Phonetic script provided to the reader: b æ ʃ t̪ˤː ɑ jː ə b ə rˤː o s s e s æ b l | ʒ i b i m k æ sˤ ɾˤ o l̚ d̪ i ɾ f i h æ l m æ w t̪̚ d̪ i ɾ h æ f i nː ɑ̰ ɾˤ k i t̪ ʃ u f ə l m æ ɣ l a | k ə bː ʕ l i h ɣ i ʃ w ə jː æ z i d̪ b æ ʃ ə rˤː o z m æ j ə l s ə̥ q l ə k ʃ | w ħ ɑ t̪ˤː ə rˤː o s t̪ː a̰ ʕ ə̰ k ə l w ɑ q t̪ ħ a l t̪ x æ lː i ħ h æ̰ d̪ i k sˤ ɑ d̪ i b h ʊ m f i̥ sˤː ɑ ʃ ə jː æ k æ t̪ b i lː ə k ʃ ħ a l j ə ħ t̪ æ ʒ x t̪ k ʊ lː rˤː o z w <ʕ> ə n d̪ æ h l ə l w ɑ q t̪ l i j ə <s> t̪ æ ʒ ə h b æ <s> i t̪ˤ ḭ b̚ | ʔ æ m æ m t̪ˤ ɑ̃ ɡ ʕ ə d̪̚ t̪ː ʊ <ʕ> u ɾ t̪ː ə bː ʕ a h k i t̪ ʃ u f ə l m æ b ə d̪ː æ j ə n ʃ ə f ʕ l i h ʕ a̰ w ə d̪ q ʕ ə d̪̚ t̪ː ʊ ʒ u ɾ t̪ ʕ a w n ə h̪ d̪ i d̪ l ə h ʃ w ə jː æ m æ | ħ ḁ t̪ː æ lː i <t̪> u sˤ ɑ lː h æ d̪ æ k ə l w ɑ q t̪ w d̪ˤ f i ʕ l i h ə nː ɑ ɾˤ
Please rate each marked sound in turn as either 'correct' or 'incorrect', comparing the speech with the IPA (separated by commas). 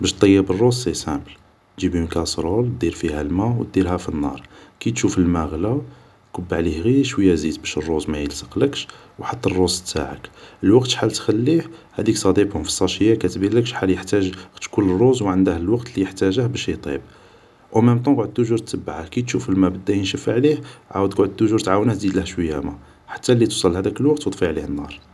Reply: correct, incorrect, incorrect, incorrect, correct